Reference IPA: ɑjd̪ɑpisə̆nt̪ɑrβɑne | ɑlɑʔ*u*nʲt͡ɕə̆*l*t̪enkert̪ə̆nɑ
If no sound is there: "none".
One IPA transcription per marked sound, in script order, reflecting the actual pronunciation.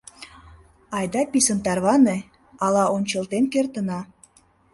o, l

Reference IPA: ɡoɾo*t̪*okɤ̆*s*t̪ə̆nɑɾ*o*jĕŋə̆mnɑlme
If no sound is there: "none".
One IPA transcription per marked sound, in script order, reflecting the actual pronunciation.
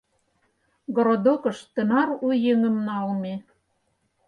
d̪, ʃ, u

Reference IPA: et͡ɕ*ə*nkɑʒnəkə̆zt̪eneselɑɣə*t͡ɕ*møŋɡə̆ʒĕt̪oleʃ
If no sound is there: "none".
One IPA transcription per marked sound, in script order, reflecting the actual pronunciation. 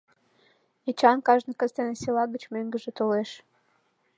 ɑ, t͡ɕ

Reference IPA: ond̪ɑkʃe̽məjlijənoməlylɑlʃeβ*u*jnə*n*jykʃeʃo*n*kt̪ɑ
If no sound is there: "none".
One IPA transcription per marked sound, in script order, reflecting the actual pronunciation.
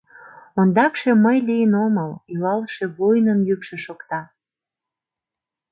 o, n, none

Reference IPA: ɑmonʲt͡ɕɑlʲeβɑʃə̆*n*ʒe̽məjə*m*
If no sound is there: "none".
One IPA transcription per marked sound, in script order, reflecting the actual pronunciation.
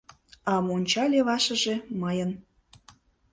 none, n

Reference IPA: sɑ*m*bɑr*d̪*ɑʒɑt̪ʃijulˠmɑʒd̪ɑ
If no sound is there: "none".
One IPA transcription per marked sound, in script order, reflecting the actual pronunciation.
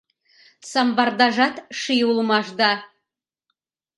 m, d̪

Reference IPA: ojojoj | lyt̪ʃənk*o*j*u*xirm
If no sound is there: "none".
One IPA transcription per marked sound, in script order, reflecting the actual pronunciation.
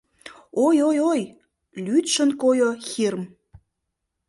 o, o

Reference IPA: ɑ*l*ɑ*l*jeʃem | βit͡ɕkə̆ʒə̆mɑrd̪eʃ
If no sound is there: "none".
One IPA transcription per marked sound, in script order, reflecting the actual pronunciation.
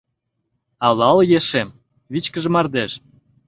l, l

